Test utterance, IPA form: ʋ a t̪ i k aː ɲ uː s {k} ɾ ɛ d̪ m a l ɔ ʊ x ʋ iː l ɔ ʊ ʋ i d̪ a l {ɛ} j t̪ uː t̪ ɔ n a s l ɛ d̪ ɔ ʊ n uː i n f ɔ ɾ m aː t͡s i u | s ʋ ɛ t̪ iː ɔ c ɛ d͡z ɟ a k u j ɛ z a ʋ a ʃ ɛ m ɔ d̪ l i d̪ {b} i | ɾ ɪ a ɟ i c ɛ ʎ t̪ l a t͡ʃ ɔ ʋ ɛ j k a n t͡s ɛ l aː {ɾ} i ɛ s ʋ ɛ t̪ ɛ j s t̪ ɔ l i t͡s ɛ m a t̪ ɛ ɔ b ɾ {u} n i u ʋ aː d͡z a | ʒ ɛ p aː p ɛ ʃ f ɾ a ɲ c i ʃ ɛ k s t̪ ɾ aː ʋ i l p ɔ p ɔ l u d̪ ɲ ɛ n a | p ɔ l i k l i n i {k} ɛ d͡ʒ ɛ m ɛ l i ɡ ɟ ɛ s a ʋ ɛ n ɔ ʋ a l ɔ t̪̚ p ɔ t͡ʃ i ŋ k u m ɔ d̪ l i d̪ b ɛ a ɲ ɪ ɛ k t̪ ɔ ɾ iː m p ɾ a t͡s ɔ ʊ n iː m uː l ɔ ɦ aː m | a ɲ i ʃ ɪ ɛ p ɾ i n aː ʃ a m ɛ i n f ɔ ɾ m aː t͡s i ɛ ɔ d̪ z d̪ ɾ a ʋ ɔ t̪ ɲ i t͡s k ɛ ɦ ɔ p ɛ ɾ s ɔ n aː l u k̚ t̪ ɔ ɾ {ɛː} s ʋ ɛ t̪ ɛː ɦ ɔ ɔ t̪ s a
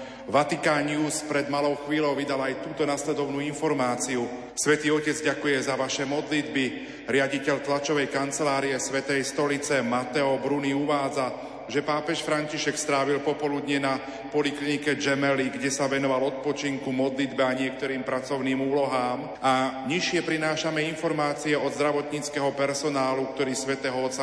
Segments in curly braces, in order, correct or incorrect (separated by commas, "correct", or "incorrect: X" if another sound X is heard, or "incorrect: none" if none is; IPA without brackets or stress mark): incorrect: p, incorrect: a, correct, correct, correct, correct, incorrect: iː